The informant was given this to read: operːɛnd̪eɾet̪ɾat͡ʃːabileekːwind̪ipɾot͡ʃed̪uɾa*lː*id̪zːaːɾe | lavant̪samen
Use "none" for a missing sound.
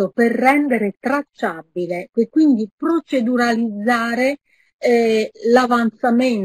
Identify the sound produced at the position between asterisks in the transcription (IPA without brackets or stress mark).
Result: l